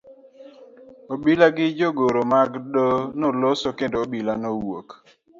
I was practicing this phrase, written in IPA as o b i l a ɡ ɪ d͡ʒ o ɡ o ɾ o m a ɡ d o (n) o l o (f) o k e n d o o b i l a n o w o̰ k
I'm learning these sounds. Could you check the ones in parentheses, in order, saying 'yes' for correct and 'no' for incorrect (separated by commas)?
yes, no